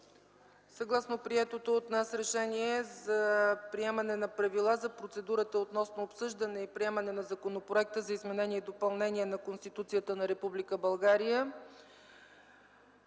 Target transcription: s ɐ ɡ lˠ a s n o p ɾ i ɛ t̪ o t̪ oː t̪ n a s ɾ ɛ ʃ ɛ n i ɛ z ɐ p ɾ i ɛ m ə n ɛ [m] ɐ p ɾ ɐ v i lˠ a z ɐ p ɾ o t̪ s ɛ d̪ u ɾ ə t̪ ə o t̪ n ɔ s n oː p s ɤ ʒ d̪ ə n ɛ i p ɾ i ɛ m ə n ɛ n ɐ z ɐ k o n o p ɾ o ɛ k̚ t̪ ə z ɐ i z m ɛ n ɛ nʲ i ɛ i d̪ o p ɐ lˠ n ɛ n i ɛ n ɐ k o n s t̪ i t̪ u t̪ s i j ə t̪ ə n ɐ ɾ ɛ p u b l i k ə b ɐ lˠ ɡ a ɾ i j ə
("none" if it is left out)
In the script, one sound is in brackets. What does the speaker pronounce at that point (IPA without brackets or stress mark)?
n